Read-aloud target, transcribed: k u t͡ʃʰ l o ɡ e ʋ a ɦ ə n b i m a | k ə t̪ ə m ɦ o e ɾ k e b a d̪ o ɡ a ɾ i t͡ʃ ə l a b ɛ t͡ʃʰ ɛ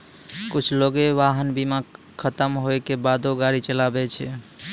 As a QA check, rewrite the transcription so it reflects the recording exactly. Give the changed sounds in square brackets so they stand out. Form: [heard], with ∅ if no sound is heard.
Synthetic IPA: k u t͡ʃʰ l o ɡ e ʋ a ɦ ə n b i m a | [kʰ] ə t̪ ə m ɦ o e [∅] k e b a d̪ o ɡ a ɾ i t͡ʃ ə l a b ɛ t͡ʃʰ ɛ